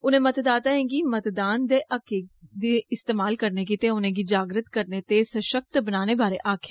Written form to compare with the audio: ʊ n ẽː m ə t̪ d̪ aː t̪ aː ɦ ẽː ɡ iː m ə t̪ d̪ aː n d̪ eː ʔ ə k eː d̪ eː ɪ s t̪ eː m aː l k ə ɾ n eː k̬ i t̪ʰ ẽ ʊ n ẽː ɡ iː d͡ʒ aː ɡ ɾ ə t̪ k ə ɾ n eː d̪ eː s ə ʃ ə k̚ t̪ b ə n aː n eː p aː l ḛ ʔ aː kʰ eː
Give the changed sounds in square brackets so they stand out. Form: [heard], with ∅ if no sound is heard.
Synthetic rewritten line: ʊ n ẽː m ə t̪ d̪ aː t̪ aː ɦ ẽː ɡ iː m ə t̪ d̪ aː n d̪ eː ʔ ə k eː d̪ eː ɪ s t̪ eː m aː l k ə ɾ n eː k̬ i [t̪] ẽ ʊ n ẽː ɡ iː d͡ʒ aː ɡ ɾ ə t̪ k ə ɾ n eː [t̪] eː s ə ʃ ə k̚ t̪ b ə n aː n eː [b] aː [ɾ] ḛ ʔ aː kʰ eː